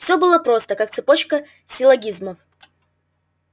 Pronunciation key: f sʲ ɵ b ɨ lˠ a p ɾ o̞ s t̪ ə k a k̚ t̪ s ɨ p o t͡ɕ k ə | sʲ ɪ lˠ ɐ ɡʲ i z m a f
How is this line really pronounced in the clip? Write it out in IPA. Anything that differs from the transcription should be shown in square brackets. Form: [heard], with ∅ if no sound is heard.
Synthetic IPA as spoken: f sʲ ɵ b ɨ lˠ [ə] p ɾ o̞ s t̪ ə k a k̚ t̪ s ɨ p o t͡ɕ k ə | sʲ ɪ lˠ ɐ ɡʲ i z m [ə] f